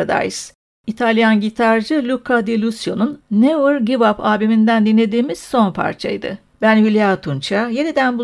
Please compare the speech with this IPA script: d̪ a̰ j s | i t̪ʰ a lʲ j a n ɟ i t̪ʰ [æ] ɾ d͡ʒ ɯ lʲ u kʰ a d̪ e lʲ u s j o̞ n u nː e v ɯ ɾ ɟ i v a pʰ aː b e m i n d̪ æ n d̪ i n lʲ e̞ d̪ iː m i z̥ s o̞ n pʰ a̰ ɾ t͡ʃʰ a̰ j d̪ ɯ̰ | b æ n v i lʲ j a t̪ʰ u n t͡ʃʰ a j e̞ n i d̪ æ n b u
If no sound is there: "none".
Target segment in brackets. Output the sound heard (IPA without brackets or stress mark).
a